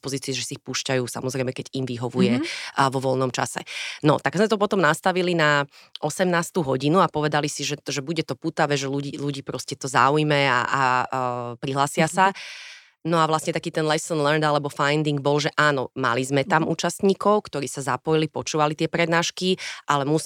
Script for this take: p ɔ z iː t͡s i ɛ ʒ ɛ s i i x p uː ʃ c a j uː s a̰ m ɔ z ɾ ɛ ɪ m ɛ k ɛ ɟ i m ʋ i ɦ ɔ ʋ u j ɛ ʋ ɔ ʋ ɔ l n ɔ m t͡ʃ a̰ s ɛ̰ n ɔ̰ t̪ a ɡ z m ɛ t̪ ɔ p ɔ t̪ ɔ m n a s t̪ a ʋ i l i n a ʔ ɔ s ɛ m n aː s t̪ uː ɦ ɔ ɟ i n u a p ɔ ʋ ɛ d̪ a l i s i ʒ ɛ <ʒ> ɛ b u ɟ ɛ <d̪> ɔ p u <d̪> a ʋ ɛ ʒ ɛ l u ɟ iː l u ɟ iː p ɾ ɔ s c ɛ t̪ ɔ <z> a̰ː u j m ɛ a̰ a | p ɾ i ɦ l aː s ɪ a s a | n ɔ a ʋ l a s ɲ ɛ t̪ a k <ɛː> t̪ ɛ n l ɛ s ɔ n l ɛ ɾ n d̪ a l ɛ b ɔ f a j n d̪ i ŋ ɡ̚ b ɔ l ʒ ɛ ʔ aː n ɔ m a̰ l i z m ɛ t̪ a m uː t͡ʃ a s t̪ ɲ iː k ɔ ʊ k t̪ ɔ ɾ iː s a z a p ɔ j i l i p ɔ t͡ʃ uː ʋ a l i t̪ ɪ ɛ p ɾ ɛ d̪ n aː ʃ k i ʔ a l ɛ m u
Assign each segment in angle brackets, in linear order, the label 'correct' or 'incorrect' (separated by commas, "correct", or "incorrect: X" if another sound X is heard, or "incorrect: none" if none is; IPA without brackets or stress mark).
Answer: correct, incorrect: t̪, incorrect: t̪, correct, incorrect: iː